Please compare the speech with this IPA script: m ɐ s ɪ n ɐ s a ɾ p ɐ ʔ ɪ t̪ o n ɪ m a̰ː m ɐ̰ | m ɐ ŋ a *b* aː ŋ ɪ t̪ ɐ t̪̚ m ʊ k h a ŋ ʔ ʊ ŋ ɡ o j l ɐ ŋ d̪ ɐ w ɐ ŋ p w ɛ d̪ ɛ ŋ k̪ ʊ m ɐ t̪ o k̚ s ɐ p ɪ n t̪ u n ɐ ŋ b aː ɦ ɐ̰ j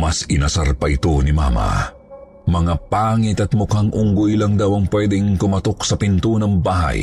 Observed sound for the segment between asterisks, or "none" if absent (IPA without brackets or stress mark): p